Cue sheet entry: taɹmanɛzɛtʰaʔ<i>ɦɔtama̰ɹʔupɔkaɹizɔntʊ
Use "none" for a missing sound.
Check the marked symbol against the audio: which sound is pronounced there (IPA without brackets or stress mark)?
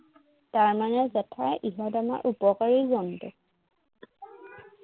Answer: i